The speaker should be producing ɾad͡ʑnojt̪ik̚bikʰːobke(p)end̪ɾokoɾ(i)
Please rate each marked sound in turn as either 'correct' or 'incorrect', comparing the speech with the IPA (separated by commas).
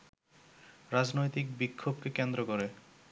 incorrect, incorrect